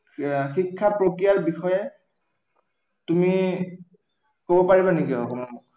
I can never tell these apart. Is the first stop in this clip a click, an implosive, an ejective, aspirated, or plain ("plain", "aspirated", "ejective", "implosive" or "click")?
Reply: aspirated